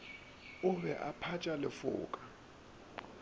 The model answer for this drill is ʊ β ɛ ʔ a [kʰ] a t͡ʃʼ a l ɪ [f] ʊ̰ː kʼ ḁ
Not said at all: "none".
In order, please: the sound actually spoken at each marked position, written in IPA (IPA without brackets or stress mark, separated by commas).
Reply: pʰ, f